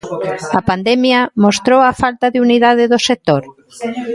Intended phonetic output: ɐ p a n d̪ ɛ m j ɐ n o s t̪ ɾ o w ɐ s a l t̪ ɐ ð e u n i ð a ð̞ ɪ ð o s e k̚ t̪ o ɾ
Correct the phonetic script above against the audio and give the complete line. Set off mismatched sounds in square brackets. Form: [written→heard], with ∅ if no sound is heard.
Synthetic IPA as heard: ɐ p a n d̪ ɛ m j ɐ [n→m] o s t̪ ɾ o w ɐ [s→f] a l t̪ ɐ ð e u n i ð a ð̞ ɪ ð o s e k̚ t̪ o ɾ